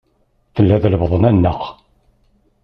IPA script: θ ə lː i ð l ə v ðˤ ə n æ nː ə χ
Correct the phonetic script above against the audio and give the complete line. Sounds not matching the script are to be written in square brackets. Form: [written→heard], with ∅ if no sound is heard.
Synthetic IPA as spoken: θ ə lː [i→æ] ð l ə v ðˤ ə n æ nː ə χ